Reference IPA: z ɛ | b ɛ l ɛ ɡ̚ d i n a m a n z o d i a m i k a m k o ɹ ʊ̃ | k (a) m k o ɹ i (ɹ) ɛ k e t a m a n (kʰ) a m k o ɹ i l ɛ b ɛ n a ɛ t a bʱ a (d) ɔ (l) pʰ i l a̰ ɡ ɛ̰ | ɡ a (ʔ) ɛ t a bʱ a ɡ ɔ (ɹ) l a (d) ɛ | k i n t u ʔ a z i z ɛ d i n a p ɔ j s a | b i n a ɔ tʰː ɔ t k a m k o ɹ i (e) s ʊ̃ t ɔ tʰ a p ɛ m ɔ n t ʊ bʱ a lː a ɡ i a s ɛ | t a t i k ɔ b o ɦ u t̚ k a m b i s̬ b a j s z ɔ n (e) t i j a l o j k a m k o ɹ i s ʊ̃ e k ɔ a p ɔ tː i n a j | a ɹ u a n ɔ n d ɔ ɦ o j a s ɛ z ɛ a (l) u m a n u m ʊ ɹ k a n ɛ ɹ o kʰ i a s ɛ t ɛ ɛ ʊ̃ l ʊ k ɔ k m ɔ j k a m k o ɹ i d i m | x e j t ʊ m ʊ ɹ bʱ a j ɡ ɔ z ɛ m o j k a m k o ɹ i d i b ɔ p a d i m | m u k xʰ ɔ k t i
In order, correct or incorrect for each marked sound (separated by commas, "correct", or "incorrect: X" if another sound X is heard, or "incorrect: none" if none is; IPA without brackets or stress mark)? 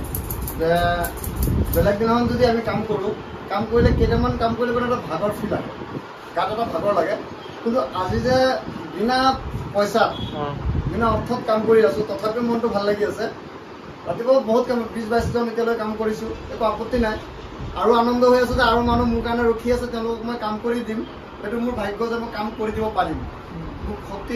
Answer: correct, incorrect: l, incorrect: k, incorrect: ɡ, incorrect: ɹ, incorrect: t, correct, incorrect: ɡ, incorrect: a, correct, incorrect: ɹ